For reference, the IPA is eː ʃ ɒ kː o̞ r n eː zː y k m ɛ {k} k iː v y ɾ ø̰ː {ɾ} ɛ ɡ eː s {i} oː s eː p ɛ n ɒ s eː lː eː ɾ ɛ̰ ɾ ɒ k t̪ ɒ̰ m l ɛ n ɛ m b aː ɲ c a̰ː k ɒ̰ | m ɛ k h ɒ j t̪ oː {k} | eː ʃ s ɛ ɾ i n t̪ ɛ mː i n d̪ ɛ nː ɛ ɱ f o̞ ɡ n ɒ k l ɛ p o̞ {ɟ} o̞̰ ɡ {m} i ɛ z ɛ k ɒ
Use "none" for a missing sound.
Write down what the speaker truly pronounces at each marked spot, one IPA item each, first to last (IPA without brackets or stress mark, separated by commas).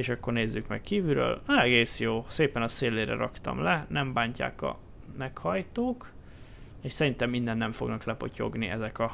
k, l, j, k, c, n